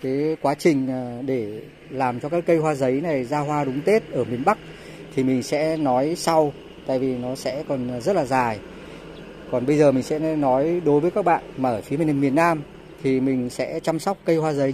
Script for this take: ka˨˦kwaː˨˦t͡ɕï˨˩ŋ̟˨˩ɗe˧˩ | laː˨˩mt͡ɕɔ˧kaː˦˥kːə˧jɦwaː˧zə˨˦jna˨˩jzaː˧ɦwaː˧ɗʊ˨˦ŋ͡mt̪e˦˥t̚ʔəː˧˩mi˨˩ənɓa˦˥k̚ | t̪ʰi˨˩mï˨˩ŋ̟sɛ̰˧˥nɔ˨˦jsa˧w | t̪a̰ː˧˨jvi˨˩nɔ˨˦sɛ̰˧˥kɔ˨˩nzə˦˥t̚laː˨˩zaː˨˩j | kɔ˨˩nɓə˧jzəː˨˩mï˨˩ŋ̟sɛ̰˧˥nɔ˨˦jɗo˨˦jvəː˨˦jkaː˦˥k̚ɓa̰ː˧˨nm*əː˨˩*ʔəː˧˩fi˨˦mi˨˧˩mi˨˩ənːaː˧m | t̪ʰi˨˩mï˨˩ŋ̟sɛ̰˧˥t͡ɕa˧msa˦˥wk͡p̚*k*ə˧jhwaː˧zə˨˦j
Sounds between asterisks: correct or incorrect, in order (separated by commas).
incorrect, correct